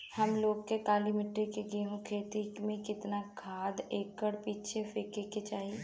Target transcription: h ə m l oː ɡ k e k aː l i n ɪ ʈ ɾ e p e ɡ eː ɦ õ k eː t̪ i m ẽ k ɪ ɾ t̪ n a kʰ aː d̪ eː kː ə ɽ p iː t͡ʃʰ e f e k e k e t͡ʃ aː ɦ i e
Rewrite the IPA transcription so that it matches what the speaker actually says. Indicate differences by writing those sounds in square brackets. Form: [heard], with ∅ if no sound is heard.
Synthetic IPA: h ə m l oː ɡ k e k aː l i [m] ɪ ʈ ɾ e [k] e ɡ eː ɦ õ [kʰ] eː t̪ i m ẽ k ɪ [∅] t̪ n a kʰ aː d̪ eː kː ə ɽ p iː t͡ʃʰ e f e k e k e t͡ʃ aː ɦ i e